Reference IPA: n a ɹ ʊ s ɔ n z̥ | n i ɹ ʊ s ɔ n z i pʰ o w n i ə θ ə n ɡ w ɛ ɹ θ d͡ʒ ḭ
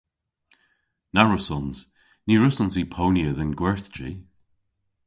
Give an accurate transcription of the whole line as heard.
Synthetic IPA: n a ɹ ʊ s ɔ n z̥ | n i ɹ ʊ s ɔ n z i pʰ o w n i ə ð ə n ɡ w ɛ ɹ θ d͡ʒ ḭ